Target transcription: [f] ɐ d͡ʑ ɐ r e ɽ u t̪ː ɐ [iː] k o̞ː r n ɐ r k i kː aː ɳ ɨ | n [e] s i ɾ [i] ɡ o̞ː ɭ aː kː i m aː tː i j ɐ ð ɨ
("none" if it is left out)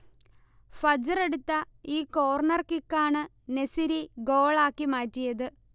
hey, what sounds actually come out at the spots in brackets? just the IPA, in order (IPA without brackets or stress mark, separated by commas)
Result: f, iː, e, i